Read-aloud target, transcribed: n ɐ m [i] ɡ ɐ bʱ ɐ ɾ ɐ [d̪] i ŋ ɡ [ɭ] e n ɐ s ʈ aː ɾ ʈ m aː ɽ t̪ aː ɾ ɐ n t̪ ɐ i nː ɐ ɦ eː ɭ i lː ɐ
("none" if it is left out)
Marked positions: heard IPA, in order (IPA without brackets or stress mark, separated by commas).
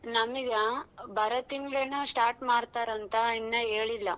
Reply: i, t̪, ɭ